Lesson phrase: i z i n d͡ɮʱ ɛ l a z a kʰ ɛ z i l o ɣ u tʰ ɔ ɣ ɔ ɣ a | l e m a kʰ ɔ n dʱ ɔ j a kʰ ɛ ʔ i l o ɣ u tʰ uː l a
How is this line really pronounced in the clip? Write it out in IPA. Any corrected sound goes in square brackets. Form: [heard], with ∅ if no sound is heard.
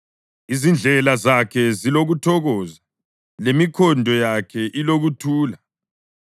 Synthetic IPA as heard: i z i n d͡ɮʱ ɛ l a z a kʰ ɛ z i l o ɣ u tʰ ɔ ɣ ɔ [z] a | l e m [i] kʰ ɔ n dʱ ɔ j a kʰ ɛ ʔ i l o ɣ u tʰ uː l a